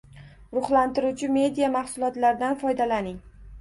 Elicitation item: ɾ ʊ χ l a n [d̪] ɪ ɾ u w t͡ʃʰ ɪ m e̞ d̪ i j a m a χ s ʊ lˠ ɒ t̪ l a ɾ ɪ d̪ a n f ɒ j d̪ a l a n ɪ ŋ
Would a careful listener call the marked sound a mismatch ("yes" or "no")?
yes